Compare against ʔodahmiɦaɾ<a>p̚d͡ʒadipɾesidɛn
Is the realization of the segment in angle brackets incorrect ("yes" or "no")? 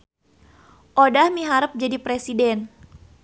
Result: yes